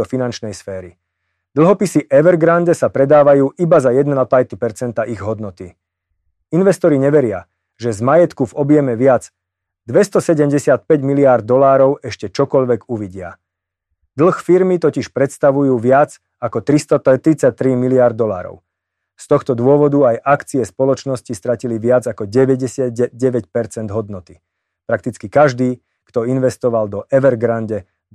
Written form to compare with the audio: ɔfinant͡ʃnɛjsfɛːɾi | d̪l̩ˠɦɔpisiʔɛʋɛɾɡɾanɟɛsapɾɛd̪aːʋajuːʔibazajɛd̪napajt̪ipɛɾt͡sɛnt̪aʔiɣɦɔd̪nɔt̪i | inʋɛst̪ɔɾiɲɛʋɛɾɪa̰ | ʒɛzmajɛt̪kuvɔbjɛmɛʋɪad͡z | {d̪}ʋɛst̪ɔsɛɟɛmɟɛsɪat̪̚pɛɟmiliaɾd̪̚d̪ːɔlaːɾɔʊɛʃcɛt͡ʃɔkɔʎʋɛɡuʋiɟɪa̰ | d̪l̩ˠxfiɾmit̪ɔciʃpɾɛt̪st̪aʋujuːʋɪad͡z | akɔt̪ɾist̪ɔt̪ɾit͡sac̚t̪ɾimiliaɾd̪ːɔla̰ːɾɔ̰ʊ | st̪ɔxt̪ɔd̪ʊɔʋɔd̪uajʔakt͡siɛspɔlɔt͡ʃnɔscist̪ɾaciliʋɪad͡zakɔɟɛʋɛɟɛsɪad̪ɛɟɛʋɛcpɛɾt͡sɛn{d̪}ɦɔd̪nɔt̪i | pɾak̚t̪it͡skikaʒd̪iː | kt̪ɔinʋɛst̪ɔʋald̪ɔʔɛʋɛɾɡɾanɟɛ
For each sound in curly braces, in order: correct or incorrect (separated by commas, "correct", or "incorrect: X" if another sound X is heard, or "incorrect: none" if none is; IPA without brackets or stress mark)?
correct, correct